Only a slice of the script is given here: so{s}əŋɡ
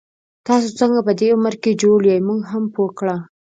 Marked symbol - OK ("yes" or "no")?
no